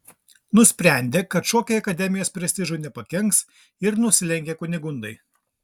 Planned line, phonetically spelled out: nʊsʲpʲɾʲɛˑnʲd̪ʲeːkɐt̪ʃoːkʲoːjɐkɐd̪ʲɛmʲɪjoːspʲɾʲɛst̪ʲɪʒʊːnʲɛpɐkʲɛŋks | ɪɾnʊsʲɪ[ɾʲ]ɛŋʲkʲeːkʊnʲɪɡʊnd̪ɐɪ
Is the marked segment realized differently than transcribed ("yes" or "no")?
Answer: yes